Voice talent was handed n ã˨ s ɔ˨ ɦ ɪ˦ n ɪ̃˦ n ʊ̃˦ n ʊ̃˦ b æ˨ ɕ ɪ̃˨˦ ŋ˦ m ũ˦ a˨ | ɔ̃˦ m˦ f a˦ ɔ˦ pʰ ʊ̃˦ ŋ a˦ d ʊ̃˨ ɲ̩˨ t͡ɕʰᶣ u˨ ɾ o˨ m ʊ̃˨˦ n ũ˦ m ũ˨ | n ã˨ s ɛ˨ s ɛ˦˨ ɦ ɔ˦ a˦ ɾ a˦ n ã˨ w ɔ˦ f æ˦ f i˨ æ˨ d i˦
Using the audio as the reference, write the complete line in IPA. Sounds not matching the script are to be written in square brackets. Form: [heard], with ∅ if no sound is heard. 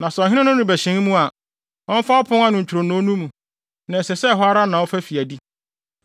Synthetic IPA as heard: n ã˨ s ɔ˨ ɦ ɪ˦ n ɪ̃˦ n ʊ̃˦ n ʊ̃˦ b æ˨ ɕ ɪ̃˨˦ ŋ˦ m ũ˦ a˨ | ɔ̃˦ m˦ f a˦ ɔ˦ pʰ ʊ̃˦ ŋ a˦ [n] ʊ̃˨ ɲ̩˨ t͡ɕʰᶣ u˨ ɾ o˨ [n] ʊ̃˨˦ n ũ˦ m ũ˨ | n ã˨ s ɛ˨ s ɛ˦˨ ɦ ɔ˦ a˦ ɾ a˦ n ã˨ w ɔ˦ f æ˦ f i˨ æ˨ d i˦

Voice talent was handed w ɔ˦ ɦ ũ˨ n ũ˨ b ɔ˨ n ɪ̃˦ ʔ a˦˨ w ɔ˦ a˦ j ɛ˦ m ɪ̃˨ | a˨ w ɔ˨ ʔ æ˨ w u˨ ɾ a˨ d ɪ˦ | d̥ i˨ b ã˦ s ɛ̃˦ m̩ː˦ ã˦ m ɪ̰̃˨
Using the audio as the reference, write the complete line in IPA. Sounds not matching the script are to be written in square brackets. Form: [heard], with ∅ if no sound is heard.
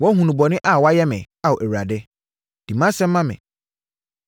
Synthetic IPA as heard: w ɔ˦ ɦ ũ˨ n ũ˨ b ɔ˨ n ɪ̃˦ ʔ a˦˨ w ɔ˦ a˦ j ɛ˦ m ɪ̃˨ | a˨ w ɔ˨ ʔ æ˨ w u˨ ɾ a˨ d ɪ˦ | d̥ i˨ [m] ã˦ s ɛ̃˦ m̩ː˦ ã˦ m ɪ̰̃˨

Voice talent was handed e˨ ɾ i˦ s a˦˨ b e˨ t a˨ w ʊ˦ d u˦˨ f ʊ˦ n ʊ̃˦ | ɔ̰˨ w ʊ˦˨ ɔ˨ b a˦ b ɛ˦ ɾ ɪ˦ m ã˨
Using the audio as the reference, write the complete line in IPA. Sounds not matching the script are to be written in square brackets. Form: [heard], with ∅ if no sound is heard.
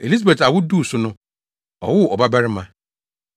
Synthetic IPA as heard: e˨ [l] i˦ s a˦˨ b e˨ t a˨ w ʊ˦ d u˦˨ [s] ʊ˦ n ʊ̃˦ | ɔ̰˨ w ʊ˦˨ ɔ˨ b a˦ b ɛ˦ ɾ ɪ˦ m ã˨

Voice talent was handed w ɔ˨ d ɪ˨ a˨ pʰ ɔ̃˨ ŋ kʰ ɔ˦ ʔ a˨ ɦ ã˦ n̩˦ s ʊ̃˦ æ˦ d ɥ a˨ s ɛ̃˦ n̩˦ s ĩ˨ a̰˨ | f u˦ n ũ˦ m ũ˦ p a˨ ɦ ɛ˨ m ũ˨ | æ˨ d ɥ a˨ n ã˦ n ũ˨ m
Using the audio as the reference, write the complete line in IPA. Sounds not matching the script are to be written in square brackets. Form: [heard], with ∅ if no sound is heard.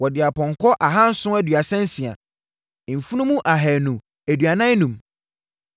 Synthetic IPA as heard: w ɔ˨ d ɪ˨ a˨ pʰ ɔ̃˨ ŋ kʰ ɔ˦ ʔ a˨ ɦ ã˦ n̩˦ s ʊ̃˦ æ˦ d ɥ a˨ s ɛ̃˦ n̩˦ s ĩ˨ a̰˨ | f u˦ n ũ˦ m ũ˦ [ʔ] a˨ ɦ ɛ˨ [n] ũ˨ | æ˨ d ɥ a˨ n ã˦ n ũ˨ m

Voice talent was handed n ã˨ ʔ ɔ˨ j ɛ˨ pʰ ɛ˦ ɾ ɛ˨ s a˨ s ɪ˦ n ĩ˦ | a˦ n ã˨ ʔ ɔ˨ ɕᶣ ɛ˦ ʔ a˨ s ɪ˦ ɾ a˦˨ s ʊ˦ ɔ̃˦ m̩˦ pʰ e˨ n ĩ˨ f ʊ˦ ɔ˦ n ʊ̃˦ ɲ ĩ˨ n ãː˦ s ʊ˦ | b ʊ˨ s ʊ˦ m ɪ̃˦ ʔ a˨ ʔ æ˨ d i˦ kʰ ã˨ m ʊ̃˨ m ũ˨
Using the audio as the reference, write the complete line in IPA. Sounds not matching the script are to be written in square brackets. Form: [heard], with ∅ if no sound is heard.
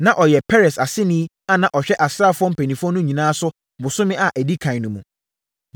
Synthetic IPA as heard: n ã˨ ʔ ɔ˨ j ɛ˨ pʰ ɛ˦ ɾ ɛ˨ s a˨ s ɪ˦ n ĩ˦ | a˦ n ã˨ ʔ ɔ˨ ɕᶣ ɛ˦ ʔ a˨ s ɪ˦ ɾ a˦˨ [f] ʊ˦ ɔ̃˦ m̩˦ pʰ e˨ n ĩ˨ f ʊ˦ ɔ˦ n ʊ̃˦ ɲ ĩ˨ n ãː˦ s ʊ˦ | b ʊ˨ s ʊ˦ m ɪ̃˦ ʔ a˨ ʔ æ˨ d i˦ kʰ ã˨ [n] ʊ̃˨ m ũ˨

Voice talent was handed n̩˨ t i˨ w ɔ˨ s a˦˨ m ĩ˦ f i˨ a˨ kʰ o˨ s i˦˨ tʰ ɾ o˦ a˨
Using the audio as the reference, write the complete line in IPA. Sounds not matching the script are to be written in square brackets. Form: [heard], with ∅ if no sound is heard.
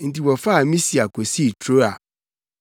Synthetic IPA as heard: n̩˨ t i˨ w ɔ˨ [f] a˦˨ m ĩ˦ [s] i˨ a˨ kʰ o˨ s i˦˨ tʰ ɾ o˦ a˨

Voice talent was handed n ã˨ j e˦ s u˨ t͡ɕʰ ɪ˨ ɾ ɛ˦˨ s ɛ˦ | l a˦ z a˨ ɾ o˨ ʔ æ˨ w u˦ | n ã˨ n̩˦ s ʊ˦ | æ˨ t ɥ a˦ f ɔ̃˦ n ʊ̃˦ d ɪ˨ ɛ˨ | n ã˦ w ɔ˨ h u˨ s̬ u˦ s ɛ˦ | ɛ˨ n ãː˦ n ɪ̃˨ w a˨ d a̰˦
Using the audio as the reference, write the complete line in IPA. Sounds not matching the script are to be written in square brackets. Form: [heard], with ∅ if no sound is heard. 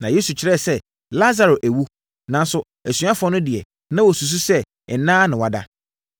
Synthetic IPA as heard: n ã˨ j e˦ s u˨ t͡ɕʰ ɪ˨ ɾ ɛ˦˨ s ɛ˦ | l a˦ z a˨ ɾ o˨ ʔ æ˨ w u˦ | n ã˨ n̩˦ s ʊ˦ | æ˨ [s] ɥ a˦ f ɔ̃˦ n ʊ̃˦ d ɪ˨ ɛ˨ | n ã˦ w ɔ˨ [s] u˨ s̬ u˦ s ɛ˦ | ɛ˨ n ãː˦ n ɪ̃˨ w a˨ d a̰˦

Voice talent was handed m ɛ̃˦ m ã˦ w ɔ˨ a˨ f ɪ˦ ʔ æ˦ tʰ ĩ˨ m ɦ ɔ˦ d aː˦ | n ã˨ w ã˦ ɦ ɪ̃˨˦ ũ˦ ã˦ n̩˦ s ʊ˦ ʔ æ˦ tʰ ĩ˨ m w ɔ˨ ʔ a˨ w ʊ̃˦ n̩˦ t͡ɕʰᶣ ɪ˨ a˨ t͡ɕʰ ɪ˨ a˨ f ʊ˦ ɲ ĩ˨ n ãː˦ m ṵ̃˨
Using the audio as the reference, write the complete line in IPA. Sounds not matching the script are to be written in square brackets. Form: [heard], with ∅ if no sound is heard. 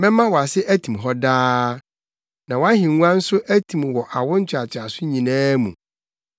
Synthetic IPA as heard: m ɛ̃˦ m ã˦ w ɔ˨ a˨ [s] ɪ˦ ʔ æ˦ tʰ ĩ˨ m ɦ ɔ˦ d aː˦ | n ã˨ w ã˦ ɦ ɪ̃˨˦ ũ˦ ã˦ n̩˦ s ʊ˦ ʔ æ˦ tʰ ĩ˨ m w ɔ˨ ʔ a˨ w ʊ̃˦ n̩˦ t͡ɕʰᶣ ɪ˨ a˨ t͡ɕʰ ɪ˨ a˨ [s] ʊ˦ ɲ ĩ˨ n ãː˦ m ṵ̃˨

